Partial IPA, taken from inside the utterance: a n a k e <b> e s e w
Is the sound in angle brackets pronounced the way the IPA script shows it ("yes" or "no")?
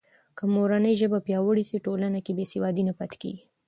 yes